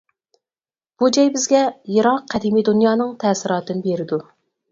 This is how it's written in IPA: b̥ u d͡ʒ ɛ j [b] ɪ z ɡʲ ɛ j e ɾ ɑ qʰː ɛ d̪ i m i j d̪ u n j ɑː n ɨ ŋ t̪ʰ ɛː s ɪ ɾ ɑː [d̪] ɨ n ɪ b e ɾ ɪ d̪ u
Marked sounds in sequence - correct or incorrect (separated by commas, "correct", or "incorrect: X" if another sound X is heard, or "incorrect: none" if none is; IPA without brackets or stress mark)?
correct, incorrect: t̪